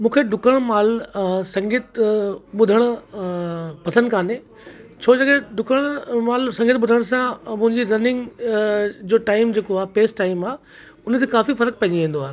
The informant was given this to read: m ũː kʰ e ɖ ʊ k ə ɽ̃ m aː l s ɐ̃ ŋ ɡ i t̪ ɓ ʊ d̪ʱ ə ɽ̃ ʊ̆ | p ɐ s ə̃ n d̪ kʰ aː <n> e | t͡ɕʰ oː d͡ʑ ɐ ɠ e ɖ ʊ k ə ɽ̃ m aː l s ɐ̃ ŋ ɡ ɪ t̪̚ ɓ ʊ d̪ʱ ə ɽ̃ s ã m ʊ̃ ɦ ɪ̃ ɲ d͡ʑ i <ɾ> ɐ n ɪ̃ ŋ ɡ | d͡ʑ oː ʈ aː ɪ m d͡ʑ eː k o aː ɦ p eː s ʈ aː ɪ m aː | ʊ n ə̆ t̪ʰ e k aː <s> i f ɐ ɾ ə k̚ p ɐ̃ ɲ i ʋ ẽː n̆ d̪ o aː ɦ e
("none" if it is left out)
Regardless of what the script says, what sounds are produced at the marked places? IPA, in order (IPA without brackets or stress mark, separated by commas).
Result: n, ɾ, f